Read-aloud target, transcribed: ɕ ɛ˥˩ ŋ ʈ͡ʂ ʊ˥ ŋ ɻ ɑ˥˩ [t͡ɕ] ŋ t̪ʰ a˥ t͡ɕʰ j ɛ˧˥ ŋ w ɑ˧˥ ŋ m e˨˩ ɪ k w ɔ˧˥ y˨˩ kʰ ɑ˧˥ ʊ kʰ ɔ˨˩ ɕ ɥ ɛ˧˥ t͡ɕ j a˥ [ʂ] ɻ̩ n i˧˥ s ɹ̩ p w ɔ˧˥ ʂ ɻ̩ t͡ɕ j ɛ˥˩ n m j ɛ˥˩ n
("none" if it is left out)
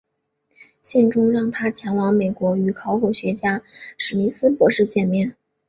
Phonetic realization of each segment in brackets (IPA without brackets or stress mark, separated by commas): none, ʂ